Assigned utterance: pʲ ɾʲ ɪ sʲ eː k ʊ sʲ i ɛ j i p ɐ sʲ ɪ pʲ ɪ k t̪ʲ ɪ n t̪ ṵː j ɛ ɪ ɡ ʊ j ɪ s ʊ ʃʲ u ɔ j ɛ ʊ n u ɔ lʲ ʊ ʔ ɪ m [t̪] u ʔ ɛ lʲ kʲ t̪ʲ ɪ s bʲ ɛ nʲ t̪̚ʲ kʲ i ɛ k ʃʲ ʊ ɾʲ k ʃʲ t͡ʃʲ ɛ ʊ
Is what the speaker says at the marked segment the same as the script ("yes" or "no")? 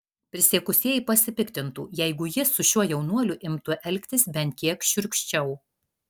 yes